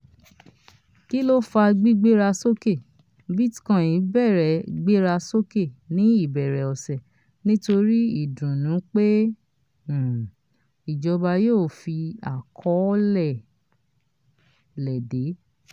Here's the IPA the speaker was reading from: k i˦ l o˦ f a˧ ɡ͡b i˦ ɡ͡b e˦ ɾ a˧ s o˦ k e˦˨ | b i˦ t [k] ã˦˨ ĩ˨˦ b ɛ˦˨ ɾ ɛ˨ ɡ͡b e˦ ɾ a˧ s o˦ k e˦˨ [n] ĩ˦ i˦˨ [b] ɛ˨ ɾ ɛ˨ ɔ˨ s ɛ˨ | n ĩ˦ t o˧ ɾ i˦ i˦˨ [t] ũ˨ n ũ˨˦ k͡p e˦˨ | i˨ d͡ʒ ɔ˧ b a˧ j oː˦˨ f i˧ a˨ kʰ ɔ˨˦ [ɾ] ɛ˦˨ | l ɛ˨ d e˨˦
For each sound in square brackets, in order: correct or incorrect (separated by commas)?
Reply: correct, correct, correct, incorrect, incorrect